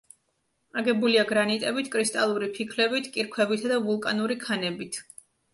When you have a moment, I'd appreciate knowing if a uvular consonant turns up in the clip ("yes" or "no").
no